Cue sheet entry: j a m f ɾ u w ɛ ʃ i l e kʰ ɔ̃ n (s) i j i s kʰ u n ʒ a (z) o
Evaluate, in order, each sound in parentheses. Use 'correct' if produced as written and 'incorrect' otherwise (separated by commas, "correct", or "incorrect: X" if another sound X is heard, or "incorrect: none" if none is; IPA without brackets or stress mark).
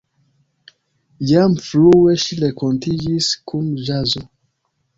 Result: incorrect: t, correct